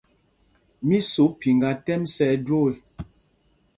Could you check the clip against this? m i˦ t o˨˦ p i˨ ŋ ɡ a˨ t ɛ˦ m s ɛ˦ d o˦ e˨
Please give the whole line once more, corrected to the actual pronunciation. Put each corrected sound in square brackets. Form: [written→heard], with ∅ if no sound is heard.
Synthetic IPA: m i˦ [t→s] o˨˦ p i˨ ŋ ɡ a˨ t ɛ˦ m s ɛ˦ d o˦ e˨